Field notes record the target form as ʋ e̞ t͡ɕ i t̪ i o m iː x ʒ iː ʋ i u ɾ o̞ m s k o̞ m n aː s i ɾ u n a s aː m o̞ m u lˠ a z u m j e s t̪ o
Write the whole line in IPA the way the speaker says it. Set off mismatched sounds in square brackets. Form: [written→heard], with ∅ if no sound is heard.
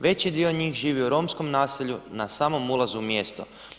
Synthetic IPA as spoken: ʋ e̞ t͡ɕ i [t̪→d̪] i o [m→ɲ] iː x ʒ iː ʋ i u ɾ o̞ m s k o̞ m n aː s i [ɾ→ʎ] u n a s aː m o̞ m u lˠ a z u m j e s t̪ o